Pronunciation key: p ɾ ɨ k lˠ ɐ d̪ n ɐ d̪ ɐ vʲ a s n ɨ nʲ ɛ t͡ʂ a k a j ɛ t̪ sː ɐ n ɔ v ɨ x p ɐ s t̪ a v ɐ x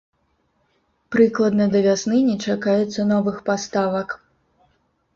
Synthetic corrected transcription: p ɾ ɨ k lˠ ɐ d̪ n ɐ d̪ ɐ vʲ a s n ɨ nʲ ɛ t͡ʂ a k a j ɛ t̪ sː ɐ n ɔ v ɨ x p a s t̪ a v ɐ k